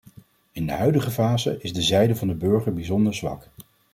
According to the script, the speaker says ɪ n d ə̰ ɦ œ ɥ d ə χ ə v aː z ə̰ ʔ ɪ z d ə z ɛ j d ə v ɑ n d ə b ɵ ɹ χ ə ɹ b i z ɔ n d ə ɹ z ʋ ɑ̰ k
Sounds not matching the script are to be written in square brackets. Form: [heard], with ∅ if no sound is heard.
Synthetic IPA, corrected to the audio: ɪ n d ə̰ ɦ œ ɥ d ə χ ə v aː z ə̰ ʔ ɪ z d ə z ɛ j d ə v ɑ n d ə b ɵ ɹ χ ə ɹ b i z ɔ n d ə ɹ z ʋ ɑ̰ k